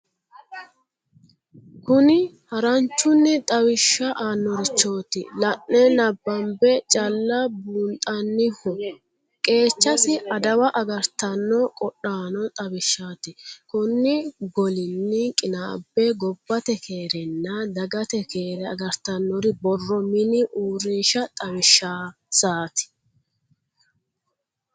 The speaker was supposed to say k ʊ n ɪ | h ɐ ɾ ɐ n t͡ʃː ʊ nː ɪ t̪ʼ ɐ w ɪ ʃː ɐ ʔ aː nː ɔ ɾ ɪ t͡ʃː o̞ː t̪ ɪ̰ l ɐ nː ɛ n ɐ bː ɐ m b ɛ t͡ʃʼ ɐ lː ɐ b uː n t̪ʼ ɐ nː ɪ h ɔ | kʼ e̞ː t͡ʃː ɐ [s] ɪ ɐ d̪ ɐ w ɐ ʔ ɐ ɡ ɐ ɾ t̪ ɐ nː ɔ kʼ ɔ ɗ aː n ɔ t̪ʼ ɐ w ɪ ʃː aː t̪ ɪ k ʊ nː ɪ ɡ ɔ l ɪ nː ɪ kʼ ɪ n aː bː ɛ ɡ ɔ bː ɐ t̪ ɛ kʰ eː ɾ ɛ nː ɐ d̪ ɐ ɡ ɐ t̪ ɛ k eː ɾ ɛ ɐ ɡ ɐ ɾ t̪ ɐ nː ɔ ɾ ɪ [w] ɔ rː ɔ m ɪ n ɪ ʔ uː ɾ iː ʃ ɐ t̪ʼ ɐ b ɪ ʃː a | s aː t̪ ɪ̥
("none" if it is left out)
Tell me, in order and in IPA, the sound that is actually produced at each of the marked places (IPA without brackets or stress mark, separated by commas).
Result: s, b